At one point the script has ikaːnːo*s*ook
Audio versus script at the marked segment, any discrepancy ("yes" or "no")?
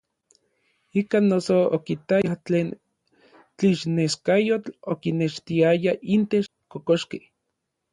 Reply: no